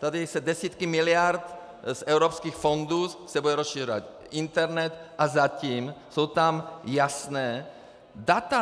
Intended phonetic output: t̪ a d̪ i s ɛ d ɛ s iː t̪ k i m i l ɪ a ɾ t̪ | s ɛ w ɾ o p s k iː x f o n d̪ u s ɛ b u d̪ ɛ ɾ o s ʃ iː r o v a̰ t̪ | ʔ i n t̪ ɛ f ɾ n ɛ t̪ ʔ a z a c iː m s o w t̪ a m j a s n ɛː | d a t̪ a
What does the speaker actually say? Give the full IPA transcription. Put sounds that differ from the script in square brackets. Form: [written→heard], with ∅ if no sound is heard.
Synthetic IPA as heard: t̪ a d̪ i s ɛ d ɛ s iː t̪ k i m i l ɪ a ɾ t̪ | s ɛ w ɾ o p s k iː x f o n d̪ u s ɛ b u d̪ ɛ ɾ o s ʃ iː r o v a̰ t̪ | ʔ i n t̪ ɛ [f→∅] ɾ n ɛ t̪ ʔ a z a c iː m s o w t̪ a m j a s n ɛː | d a t̪ a